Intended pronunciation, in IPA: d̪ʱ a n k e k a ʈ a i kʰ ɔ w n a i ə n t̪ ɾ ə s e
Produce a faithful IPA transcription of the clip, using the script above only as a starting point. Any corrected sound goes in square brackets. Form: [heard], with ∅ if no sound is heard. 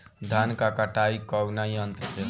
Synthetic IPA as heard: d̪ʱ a n k [a] k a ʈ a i [k] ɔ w n a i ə n t̪ ɾ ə s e